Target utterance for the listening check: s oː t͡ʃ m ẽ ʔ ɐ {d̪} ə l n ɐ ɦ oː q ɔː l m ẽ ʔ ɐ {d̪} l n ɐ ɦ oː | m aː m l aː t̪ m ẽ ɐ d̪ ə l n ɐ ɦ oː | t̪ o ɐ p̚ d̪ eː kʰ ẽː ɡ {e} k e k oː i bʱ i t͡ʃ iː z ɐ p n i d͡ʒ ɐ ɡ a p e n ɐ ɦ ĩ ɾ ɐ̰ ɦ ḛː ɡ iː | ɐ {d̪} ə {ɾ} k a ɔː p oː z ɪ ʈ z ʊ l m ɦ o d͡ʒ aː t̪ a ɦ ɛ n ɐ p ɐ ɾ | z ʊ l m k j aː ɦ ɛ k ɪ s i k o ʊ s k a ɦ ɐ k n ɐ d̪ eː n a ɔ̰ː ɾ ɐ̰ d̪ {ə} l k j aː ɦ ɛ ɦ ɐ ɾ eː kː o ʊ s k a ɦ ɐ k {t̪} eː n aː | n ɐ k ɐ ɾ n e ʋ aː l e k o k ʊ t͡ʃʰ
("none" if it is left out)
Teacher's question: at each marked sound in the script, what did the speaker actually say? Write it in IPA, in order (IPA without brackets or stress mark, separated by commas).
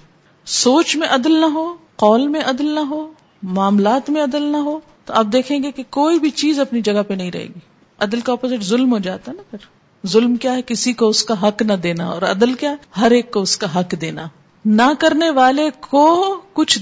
d̪, d̪, e, d̪, l, ə, d̪